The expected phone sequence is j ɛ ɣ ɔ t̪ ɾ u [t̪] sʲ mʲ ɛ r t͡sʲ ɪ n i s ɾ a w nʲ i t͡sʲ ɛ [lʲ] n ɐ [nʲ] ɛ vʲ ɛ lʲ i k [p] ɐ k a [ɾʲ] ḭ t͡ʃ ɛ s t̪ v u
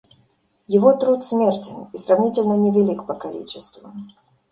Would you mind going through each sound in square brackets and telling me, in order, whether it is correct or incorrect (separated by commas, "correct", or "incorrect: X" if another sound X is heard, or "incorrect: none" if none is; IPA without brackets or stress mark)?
correct, correct, correct, correct, incorrect: lʲ